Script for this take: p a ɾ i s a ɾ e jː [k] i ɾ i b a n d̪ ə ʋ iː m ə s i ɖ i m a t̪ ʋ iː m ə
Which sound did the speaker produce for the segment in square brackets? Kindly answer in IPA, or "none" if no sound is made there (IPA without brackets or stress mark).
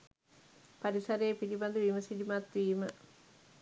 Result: p